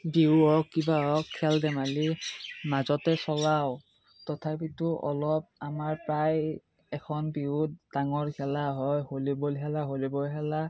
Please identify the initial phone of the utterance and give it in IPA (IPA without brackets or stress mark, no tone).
b